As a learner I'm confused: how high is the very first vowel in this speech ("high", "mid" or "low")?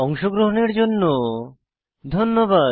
mid